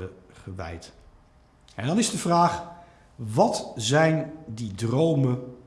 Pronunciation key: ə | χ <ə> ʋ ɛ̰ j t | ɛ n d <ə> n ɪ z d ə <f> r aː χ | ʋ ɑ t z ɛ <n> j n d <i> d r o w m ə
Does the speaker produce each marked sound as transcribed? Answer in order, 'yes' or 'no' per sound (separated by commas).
yes, no, no, no, yes